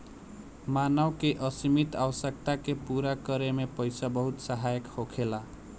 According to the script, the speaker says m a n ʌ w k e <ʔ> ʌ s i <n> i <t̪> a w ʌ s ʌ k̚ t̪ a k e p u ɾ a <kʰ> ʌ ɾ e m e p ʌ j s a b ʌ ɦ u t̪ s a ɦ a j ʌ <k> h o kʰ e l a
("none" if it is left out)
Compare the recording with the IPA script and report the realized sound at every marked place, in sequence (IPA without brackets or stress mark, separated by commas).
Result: ʔ, m, t̪, k, k